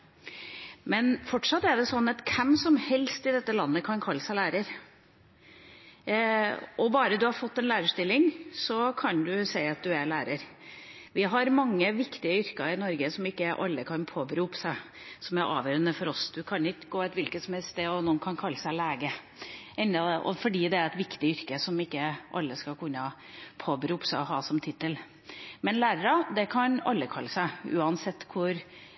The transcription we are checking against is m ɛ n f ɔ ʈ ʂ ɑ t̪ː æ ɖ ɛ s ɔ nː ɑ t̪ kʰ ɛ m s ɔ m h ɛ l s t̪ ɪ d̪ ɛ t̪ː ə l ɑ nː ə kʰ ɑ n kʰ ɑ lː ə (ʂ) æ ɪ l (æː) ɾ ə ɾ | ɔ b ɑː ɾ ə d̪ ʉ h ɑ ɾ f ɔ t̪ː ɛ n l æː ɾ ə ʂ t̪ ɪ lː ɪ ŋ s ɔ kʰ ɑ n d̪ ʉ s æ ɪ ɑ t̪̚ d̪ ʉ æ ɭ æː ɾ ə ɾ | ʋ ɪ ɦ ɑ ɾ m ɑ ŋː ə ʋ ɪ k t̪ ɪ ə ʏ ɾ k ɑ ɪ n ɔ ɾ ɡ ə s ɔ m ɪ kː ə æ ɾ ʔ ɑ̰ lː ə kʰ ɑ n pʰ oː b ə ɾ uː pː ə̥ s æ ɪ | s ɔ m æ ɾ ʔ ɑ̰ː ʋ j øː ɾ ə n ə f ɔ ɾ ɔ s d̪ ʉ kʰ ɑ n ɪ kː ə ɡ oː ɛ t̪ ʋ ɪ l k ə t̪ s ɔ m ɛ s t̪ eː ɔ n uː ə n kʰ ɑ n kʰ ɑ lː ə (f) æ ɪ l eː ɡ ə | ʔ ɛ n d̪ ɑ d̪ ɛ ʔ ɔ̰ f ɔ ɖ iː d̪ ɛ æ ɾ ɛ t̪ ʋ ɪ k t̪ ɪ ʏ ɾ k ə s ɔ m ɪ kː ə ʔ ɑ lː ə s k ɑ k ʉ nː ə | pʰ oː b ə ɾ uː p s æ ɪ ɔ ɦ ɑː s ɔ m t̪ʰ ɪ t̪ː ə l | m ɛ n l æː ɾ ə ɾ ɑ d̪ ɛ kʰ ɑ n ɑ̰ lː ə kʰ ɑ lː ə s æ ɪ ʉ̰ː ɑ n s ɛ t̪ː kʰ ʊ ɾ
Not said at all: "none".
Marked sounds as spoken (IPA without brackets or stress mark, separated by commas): s, æː, s